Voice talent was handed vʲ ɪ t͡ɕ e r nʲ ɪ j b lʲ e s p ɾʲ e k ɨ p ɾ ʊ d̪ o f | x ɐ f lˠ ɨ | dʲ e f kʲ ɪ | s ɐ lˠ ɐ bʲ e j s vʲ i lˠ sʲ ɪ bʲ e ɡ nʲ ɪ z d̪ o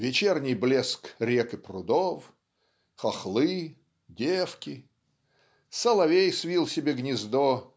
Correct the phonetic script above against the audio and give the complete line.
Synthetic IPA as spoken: vʲ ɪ t͡ɕ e r nʲ ɪ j b lʲ e s k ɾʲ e k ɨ p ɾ ʊ d̪ o f | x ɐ x lˠ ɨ | dʲ e f kʲ ɪ | s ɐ lˠ ɐ vʲ e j s vʲ i lˠ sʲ ɪ bʲ e ɡ nʲ ɪ z d̪ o